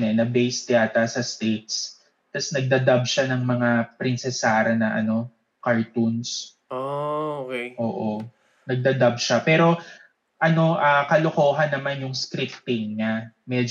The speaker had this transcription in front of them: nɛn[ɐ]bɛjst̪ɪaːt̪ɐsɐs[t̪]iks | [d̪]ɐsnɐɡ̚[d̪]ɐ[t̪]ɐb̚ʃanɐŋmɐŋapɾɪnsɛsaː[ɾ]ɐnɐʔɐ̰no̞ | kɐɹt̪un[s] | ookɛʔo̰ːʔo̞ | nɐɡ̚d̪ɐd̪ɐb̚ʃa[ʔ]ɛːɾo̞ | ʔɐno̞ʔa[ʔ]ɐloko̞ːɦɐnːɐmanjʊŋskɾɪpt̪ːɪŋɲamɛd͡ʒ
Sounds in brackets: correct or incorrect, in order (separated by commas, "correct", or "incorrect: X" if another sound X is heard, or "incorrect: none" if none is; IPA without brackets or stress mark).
correct, correct, incorrect: t̪, correct, incorrect: d̪, correct, correct, incorrect: p, incorrect: k